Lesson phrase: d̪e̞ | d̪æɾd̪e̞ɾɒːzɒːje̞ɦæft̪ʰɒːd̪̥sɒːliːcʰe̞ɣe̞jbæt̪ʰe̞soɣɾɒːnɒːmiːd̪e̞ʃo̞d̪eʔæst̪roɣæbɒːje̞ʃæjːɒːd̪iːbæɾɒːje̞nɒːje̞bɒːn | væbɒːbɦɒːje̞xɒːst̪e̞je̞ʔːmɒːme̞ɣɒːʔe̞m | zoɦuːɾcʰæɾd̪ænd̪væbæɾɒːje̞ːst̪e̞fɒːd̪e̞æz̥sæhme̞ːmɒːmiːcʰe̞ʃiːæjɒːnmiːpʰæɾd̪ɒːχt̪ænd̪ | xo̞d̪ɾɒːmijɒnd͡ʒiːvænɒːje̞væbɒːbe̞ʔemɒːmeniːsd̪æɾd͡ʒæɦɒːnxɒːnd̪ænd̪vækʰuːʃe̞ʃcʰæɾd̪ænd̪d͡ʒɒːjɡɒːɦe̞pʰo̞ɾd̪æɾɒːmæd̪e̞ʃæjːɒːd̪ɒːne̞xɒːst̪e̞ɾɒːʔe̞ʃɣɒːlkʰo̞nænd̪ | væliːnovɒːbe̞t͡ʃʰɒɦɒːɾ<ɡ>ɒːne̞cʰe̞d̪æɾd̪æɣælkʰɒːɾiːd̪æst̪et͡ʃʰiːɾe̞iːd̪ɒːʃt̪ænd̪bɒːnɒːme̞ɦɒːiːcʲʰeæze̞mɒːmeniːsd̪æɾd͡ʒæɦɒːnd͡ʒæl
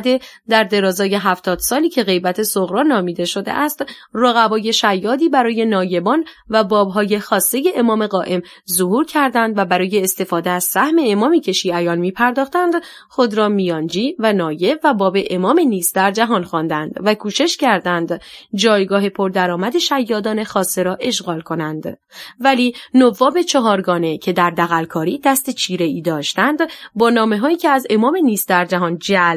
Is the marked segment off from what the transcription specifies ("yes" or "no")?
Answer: no